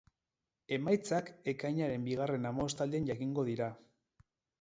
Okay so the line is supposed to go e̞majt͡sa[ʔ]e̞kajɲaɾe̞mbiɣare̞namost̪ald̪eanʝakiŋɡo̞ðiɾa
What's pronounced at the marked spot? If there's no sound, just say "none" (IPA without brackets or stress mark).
k